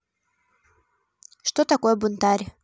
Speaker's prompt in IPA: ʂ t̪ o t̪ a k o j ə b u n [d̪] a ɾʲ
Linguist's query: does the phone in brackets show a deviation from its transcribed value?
yes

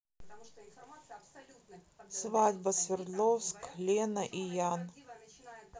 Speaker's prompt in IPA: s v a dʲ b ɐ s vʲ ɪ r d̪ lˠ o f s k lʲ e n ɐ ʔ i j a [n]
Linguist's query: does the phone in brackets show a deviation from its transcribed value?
no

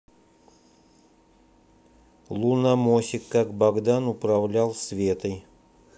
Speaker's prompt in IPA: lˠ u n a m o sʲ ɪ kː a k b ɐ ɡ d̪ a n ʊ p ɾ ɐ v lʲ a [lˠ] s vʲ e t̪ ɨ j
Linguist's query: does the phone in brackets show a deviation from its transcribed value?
no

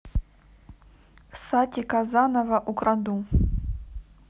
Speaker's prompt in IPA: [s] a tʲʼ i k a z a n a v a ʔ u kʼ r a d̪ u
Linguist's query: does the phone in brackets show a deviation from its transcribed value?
no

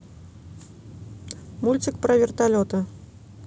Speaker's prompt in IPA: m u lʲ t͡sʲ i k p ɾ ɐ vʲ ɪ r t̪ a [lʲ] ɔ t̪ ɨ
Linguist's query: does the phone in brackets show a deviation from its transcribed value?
no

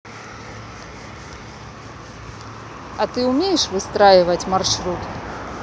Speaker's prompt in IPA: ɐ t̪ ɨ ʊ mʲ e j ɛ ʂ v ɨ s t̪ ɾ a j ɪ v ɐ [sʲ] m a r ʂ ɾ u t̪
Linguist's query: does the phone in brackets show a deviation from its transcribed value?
yes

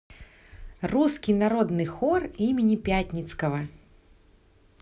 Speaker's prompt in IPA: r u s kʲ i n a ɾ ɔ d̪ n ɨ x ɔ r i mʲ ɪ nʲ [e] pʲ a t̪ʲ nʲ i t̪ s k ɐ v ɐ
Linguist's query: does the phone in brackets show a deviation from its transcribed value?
yes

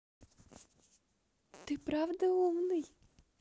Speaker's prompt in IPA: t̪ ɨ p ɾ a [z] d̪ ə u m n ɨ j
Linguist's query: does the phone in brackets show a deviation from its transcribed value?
yes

